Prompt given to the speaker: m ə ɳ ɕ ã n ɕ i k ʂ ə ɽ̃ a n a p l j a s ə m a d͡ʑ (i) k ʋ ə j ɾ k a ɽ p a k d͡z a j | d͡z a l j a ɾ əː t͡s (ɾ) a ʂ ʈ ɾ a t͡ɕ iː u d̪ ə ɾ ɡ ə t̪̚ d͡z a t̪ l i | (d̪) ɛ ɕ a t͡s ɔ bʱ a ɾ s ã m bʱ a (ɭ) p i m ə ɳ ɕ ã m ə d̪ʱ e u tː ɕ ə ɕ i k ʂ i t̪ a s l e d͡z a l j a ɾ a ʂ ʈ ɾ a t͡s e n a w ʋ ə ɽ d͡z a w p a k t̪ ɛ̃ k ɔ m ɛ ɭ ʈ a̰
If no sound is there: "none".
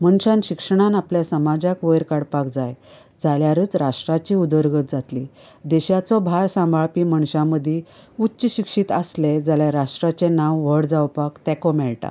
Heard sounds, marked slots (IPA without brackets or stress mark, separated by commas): a, ɾ, d̪, ɭ